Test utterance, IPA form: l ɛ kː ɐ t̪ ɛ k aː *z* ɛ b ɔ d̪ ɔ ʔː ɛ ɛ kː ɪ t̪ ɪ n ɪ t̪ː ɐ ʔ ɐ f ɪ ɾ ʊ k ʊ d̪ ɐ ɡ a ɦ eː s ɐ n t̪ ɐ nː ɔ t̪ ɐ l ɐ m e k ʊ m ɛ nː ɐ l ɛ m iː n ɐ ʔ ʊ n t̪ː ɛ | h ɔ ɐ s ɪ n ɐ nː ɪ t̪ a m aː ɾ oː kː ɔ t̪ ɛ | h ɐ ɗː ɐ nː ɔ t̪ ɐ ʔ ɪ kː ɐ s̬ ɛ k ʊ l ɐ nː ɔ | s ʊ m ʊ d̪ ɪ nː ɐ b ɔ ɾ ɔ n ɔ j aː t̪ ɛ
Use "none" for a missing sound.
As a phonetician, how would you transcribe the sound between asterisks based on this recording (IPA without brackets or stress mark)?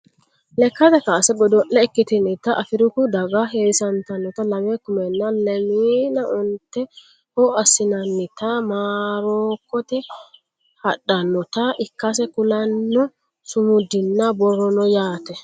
s